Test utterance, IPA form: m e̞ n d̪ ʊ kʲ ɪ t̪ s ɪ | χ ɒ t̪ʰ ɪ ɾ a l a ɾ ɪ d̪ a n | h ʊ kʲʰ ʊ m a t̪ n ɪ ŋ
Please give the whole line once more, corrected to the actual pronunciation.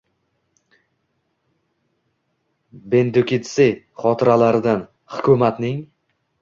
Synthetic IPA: b e̞ n d̪ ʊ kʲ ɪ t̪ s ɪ | χ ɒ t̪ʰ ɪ ɾ a l a ɾ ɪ d̪ a n | h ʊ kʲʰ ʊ m a t̪ n ɪ ŋ